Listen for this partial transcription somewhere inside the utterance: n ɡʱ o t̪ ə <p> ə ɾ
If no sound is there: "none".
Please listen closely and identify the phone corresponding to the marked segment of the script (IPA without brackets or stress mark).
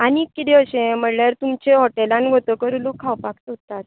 k